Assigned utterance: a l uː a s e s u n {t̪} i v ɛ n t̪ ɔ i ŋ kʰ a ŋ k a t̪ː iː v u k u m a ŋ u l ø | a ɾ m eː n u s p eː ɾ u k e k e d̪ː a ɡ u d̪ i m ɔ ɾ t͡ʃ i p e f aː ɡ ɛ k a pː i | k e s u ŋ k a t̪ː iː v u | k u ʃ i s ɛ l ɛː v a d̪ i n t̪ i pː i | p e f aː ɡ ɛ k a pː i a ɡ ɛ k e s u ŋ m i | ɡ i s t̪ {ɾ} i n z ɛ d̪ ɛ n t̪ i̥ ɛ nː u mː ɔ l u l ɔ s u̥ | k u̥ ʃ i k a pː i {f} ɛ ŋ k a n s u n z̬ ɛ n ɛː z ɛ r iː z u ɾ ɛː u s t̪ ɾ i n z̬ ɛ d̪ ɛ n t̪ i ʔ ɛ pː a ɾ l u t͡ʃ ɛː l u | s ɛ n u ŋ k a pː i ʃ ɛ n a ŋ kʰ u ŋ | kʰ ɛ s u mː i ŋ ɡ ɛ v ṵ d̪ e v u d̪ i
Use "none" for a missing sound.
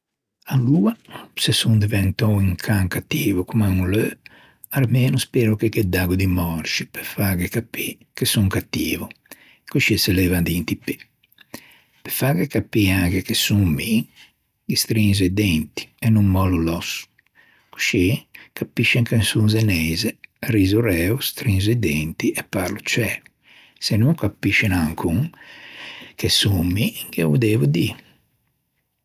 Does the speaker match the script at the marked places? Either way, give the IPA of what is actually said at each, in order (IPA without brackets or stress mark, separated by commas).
d̪, ɾ, ʃ